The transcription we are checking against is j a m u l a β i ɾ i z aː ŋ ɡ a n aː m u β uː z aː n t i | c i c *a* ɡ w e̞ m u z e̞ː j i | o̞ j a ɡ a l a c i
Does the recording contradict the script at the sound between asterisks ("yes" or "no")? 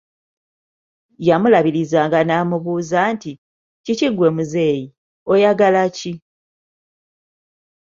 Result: yes